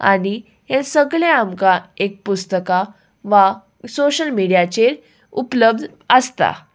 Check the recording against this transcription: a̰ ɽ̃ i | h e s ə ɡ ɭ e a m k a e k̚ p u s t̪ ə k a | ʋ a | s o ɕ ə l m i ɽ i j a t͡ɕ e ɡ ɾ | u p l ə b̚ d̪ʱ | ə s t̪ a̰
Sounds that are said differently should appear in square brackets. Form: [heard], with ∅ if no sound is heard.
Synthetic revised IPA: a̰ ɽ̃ i | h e s ə ɡ ɭ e a m k a e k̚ p u s t̪ ə k a | ʋ a | s o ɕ ə l m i ɽ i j a t͡ɕ e [∅] ɾ | u p l ə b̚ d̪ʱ | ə s t̪ a̰